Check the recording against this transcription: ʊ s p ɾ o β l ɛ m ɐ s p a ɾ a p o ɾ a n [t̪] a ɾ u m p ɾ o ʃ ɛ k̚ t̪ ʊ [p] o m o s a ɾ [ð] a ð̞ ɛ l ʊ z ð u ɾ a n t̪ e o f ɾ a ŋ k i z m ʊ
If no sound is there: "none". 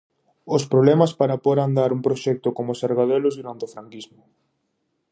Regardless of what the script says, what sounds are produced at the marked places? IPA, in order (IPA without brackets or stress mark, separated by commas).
d̪, k, ɣ